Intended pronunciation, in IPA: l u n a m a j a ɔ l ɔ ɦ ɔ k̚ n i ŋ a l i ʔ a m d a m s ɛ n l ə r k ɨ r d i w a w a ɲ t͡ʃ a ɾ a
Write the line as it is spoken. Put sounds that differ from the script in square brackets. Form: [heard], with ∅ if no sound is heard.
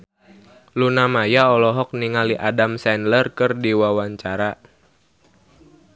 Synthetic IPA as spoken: l u n a m a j a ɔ l ɔ ɦ ɔ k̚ n i ŋ a l i ʔ a [∅] d a m s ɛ n l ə r k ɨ r d i w a w a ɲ t͡ʃ a ɾ a